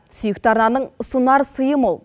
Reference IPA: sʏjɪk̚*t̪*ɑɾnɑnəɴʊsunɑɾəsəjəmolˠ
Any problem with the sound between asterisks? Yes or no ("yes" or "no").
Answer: no